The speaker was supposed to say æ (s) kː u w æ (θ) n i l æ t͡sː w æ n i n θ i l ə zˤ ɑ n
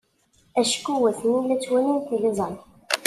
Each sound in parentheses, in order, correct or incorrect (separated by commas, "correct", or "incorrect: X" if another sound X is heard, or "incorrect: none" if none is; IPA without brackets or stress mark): incorrect: ʃ, correct